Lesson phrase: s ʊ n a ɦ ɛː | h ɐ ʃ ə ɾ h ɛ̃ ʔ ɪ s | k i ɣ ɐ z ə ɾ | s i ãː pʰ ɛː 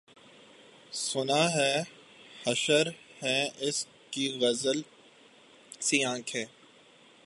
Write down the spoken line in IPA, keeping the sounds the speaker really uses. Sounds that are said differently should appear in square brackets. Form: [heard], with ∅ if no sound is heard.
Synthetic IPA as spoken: s ʊ n a ɦ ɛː | h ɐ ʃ ə ɾ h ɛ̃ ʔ ɪ s | k i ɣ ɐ z ə [l] | s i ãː [kʰ] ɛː